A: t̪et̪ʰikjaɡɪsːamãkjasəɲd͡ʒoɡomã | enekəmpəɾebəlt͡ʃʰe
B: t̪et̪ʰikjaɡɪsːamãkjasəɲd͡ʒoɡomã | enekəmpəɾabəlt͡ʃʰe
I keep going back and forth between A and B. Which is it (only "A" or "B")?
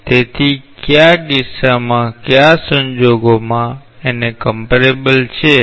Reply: A